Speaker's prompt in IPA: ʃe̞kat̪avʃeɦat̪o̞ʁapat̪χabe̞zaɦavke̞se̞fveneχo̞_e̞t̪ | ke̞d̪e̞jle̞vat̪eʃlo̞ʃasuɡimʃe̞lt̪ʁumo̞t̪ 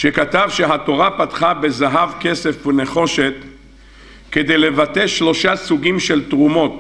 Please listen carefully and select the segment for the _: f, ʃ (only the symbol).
ʃ